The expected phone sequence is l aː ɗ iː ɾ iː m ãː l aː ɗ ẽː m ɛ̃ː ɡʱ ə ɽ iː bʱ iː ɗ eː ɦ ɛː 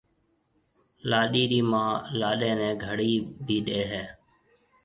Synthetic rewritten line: l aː ɗ iː ɾ iː m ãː l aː ɗ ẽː n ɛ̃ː ɡʱ ə ɽ iː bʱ iː ɗ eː ɦ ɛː